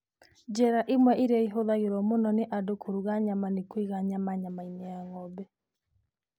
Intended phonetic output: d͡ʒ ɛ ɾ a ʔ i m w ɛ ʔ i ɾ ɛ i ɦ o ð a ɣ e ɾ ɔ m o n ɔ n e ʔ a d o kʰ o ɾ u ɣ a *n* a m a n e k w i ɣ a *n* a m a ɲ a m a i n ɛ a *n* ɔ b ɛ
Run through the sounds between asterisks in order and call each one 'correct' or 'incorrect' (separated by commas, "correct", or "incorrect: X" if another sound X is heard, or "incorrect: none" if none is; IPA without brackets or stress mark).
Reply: incorrect: ɲ, incorrect: ɲ, incorrect: ŋ